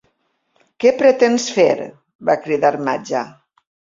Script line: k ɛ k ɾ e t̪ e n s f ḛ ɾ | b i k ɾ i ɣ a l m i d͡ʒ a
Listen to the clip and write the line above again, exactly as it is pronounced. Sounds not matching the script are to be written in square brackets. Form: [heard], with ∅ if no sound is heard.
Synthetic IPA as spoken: k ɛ [p] ɾ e t̪ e n s f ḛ ɾ | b [a] k ɾ i [ð] a [ɾ] m [a] d͡ʒ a